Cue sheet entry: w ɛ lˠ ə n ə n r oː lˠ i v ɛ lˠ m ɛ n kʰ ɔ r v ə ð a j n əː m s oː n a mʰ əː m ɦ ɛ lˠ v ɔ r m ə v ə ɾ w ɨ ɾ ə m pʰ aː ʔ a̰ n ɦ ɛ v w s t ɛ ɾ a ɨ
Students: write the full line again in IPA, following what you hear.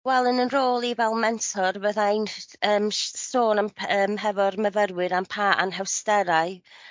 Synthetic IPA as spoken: w ɛ lˠ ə n ə n r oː lˠ i v ɛ lˠ m ɛ n tʰ ɔ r v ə ð a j n əː m s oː n a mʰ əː m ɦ ɛ v ɔ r m ə v ə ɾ w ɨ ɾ a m pʰ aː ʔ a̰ n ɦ ɛ w s t ɛ ɾ a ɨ